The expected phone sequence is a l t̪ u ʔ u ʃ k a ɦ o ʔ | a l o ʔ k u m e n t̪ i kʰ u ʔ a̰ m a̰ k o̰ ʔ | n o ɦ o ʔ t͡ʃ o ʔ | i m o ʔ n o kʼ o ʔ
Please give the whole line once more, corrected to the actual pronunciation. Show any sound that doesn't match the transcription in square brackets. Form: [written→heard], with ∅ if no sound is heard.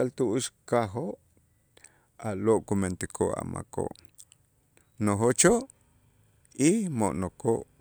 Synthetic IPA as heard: a l t̪ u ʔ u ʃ k a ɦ o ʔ | a l o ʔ k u m e n t̪ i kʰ [u→o] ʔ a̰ m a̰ k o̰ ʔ | n o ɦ o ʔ t͡ʃ o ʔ | i m o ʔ n o [kʼ→k] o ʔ